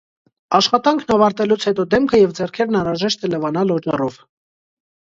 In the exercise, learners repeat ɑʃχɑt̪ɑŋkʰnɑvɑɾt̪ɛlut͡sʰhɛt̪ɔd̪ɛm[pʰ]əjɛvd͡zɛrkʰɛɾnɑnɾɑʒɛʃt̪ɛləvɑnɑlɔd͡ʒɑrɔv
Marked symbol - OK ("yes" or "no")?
no